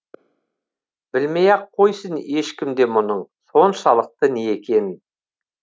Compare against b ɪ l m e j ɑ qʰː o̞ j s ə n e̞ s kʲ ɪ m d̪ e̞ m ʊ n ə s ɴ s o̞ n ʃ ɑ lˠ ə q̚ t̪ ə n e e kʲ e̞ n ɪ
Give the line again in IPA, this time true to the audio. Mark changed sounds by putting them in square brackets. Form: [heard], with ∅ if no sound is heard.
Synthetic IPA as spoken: b ɪ l m e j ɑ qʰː o̞ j s ə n e̞ [ʃ] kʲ ɪ m d̪ e̞ m ʊ n ə [∅] ɴ s o̞ n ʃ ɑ lˠ ə q̚ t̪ ə n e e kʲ e̞ n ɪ